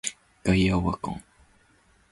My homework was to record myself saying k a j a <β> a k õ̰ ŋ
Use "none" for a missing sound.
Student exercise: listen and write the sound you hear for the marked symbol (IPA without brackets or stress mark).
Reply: w